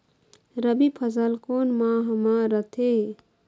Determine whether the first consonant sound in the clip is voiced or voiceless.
voiced